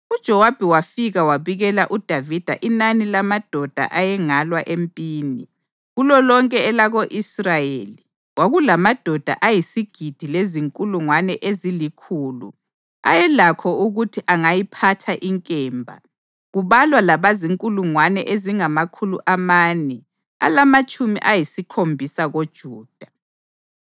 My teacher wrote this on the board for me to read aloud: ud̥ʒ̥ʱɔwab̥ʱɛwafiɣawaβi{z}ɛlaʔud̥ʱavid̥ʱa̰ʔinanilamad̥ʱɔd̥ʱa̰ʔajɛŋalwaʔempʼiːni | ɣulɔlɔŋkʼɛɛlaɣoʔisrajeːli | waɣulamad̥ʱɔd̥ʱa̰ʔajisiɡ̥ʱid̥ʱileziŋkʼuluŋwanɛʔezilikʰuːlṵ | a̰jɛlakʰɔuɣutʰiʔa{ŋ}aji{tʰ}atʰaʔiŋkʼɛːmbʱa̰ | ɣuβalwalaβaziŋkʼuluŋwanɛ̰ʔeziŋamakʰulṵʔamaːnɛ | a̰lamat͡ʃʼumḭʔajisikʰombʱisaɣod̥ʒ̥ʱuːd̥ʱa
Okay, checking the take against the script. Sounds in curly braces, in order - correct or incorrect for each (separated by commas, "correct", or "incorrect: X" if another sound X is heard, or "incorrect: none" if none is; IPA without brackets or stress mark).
incorrect: ɣ, correct, incorrect: pʰ